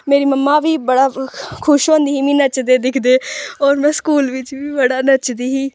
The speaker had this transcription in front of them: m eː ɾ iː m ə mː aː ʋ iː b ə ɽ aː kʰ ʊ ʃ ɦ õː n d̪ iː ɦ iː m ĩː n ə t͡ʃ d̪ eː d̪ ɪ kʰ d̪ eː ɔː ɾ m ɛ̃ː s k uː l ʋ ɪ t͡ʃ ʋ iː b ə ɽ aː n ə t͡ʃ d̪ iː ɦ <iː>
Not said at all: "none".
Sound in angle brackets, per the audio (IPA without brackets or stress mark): iː